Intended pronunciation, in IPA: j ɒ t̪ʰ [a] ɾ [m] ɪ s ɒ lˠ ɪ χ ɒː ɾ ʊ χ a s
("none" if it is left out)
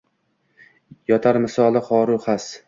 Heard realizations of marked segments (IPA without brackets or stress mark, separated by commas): a, m